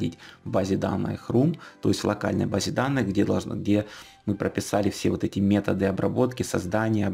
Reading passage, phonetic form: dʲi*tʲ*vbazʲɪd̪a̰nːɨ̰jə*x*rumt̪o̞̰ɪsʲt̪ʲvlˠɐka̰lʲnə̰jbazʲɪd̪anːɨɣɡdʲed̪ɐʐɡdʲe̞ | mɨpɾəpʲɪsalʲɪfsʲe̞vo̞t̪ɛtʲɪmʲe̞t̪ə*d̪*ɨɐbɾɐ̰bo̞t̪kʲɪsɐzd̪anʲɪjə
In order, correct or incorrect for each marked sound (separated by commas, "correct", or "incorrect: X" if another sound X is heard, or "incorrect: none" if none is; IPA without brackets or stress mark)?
correct, correct, correct